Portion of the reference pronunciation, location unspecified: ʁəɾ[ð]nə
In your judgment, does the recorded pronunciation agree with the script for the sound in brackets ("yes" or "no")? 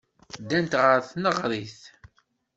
no